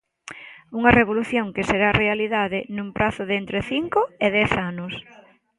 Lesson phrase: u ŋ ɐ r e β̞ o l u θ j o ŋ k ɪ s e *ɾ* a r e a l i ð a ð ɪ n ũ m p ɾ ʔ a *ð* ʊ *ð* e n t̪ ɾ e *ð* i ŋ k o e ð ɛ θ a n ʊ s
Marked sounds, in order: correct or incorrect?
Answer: correct, incorrect, correct, incorrect

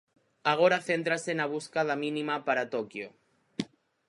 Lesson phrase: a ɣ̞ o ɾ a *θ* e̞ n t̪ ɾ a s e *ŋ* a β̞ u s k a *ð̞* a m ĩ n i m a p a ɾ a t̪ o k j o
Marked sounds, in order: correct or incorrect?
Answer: correct, incorrect, correct

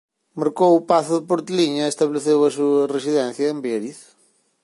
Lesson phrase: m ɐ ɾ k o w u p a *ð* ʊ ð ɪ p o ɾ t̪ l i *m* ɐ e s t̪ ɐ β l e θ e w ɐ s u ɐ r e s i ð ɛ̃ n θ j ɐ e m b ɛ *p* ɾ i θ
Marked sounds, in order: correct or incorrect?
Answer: incorrect, incorrect, incorrect

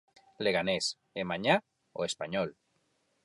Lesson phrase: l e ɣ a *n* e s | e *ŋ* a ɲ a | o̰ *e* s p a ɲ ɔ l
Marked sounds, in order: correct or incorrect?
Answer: correct, incorrect, correct

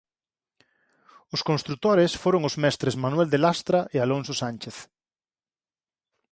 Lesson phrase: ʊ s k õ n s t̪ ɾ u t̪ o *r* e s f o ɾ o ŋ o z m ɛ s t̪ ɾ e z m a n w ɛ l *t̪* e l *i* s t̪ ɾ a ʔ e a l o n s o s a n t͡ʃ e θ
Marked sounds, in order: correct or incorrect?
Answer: incorrect, incorrect, incorrect

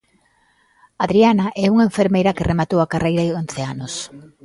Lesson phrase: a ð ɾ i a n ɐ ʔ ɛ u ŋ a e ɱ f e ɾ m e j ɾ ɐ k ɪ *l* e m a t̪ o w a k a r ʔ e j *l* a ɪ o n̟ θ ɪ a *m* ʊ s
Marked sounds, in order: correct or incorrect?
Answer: incorrect, incorrect, incorrect

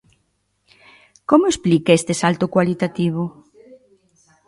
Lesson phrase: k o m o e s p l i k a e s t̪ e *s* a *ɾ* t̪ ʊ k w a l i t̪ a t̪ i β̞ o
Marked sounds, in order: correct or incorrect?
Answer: correct, incorrect

